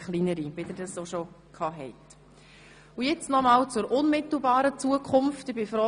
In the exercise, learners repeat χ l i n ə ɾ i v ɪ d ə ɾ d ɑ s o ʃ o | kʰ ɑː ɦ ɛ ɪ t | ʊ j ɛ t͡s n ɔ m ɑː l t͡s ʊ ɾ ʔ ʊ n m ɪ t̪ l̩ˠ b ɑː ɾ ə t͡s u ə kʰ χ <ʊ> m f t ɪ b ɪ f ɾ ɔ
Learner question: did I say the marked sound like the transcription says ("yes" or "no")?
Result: yes